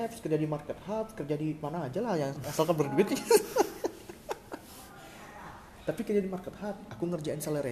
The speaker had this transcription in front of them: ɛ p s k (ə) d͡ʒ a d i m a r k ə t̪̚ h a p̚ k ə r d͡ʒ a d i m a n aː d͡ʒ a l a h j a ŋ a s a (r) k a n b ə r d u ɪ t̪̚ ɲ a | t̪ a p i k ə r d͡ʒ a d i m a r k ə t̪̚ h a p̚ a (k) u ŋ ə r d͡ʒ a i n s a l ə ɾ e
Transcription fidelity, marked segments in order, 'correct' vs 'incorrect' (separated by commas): correct, incorrect, correct